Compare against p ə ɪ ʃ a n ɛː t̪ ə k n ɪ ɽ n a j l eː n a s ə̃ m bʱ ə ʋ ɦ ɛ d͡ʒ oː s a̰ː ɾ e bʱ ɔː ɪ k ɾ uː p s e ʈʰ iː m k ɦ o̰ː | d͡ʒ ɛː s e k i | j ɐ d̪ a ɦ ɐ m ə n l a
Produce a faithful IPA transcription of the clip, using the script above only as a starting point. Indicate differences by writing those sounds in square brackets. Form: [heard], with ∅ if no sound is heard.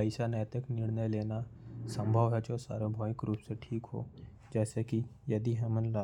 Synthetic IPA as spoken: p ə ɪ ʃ a n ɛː t̪ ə k n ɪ ɽ n [ə] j l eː n a s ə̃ m bʱ ə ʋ ɦ ɛ d͡ʒ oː s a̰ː ɾ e bʱ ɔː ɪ k ɾ uː p s e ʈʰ iː [∅] k ɦ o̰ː | d͡ʒ ɛː s e k i | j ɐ d̪ [i] ɦ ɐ m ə n l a